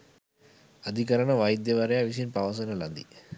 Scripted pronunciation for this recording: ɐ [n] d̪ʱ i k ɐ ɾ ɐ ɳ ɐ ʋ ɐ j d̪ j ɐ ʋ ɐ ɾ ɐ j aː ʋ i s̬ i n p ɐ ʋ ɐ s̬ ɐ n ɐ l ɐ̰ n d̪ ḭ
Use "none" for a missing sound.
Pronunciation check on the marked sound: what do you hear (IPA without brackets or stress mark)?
none